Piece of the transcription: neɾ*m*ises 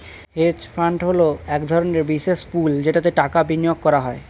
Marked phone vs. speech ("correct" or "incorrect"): incorrect